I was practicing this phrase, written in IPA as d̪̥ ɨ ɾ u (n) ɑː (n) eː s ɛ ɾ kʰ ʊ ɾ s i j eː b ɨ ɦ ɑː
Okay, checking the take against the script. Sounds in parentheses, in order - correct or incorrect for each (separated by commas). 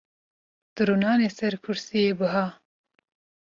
correct, correct